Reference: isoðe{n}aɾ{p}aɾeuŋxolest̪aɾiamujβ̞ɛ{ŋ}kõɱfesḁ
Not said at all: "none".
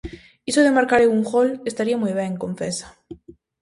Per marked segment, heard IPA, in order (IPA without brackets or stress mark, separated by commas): m, k, ŋ